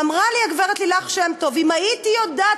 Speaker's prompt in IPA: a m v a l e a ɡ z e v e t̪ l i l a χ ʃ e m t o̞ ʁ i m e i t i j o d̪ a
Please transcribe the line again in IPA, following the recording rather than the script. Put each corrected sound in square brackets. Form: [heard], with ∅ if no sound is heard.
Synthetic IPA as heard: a m [ʁ] a l [i] a ɡ [v] e [ʁ] e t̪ l i l a χ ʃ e m t o̞ [v] i m [a] i t i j o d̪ a